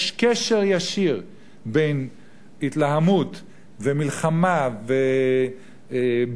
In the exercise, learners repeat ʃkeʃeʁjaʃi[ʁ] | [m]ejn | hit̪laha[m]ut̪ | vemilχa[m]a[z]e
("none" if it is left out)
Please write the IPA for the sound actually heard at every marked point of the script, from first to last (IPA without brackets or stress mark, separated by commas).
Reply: ʁ, b, m, m, v